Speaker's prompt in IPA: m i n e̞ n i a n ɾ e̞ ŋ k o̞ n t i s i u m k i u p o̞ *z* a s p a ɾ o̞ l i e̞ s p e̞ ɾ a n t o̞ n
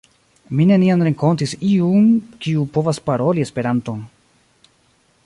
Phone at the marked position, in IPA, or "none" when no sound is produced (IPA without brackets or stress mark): v